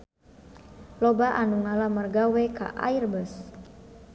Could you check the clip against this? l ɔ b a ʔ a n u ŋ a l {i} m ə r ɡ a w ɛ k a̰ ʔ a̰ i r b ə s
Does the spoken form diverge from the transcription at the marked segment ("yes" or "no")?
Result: yes